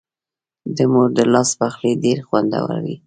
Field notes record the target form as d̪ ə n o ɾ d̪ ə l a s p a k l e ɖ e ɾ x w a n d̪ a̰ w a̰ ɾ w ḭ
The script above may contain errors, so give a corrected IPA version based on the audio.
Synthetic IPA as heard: d̪ ə m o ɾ d̪ ə l ɑ s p a x l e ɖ e ɾ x w a n d̪ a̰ w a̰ ɾ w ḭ